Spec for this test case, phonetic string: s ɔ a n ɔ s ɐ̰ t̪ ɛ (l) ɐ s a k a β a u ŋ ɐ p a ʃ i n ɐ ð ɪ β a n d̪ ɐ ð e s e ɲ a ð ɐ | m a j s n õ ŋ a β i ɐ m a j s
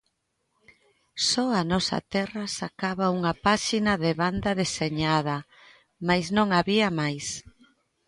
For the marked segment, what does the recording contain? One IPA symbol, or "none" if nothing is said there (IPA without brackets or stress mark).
r